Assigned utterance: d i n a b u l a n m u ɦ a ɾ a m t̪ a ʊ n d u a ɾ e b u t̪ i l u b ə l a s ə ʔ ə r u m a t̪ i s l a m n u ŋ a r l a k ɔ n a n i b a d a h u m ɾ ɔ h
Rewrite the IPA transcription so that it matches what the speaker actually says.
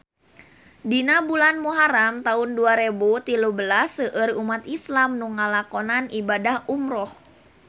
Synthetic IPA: d i n a b u l a n m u ɦ a ɾ a m t̪ a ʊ n d u a ɾ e b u t̪ i l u b ə l a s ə ʔ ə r u m a t̪ i s l a m n u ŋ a l a k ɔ n a n i b a d a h u m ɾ ɔ h